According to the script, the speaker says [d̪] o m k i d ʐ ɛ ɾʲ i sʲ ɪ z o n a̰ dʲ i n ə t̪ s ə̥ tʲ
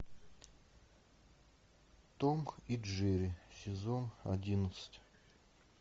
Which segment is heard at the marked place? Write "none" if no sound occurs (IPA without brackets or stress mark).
t̪